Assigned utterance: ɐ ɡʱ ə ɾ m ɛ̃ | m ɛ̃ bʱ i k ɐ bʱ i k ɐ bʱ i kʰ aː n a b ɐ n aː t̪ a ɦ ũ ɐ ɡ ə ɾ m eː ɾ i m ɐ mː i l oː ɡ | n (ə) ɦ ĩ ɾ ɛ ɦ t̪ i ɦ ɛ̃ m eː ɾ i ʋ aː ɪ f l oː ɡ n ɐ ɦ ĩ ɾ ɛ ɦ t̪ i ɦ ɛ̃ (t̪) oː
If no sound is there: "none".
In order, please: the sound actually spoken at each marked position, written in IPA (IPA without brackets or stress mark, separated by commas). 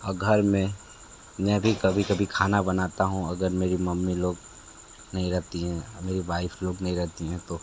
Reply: ɐ, t̪